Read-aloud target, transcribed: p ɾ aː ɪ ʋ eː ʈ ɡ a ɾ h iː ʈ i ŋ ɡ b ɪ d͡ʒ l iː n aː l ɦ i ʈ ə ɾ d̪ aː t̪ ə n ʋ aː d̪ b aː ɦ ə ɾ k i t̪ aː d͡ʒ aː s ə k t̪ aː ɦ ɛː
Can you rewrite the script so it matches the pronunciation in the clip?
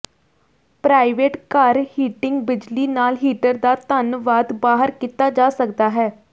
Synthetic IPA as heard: p ɾ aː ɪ ʋ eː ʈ k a ɾ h iː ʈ ɪ ŋ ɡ b ɪ d͡ʒ l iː n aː l ɦ iː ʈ ə ɾ d̪ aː t̪ ə n ʋ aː d̪ b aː ɦ ə ɾ k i t̪ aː d͡ʒ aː s ə k d̪ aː ɦ ɛː